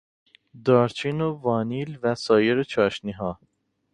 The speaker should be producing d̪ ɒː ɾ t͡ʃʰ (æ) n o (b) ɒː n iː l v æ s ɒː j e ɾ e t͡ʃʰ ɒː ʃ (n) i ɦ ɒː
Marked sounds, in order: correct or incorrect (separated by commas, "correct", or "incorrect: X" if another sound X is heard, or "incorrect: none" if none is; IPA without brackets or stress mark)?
incorrect: i, incorrect: v, correct